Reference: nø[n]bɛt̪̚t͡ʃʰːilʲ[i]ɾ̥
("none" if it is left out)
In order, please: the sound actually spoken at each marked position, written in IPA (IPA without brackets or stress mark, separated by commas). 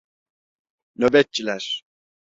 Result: none, æ